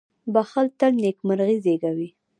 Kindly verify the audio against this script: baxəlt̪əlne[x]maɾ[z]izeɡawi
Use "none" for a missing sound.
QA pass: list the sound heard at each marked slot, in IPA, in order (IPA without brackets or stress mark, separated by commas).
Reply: k, ɣ